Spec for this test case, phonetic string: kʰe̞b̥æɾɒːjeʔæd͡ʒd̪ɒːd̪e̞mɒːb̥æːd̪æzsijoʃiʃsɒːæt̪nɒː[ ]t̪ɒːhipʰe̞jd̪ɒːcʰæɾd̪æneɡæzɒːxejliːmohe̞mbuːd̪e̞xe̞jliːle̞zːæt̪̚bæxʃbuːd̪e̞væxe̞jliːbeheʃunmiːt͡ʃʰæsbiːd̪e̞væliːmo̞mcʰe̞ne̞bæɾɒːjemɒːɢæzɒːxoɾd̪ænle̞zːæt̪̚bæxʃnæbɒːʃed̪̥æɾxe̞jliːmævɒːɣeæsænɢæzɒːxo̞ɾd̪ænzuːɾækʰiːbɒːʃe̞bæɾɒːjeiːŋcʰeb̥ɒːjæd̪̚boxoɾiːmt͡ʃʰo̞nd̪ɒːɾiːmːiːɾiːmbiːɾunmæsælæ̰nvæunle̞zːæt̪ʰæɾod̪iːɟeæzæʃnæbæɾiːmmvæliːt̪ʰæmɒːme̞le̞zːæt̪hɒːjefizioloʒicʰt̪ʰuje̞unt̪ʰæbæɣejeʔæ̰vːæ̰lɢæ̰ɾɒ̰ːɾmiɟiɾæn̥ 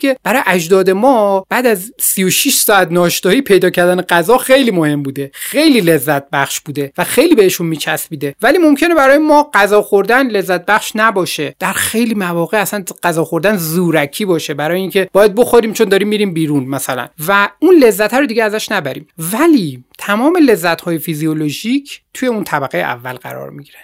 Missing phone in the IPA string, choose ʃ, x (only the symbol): ʃ